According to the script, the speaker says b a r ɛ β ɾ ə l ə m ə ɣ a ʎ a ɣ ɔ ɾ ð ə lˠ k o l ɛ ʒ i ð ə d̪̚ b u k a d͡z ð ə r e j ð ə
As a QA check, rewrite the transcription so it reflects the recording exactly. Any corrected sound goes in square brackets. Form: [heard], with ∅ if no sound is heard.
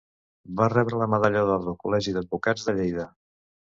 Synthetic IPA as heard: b a r ɛ β ɾ ə l ə m ə [ð] a ʎ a [ð] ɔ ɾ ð ə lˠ k [u] l ɛ ʒ i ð ə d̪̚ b u k a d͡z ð ə [ʎ] e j ð ə